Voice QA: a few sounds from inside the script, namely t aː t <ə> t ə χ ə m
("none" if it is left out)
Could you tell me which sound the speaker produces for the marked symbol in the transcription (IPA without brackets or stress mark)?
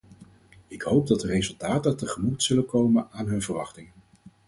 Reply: ə